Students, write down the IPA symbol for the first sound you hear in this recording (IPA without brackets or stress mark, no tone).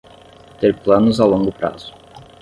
t̪